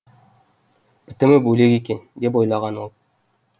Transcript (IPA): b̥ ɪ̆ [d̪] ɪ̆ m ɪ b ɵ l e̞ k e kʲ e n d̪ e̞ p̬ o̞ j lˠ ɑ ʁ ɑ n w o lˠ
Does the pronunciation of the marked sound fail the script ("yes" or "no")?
yes